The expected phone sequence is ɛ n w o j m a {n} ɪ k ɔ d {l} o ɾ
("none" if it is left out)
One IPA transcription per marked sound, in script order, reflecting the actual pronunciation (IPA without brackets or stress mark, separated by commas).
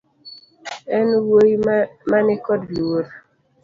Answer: n, l